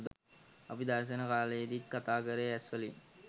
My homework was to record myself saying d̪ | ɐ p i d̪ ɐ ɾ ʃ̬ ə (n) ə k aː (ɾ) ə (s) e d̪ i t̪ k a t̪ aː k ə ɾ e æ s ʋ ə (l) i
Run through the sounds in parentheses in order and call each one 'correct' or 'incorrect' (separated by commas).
correct, incorrect, incorrect, correct